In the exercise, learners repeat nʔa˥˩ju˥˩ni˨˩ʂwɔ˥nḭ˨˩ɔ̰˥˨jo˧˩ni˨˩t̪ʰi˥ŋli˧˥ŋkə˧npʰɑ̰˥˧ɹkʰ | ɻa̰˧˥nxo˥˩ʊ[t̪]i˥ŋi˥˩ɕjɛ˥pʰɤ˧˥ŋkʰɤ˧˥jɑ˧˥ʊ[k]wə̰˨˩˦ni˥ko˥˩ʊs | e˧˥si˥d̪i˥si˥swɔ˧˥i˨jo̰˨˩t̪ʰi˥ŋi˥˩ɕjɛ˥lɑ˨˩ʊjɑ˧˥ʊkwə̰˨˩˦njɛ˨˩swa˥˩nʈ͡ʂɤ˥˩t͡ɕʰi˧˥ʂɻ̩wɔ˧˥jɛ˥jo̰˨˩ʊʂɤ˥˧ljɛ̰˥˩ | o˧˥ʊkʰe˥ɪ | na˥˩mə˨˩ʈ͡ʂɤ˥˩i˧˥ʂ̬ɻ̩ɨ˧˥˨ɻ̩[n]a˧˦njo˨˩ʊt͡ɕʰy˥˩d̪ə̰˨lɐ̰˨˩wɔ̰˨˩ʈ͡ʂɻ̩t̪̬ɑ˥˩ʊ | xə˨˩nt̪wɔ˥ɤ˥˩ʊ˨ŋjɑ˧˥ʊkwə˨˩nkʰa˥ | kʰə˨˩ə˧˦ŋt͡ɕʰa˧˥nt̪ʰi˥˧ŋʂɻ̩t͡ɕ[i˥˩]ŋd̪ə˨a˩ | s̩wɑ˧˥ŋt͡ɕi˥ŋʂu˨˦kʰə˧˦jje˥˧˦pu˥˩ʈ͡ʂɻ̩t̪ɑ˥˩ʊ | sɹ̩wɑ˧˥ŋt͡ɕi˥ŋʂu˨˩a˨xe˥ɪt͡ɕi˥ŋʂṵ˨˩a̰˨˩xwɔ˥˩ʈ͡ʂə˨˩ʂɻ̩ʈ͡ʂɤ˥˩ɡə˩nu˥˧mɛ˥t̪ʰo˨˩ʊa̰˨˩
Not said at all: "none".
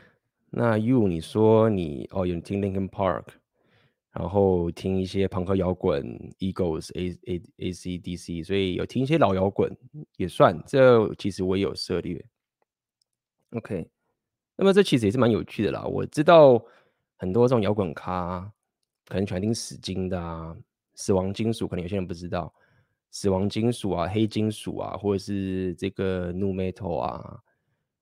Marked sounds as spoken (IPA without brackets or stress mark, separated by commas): t̪ʰ, k, m, i˥